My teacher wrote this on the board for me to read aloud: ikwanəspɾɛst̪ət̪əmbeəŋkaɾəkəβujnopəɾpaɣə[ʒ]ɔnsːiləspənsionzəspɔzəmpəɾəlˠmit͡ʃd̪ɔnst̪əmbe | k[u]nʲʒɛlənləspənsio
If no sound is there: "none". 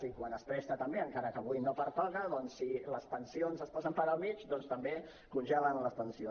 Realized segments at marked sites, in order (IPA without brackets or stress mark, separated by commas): ð, u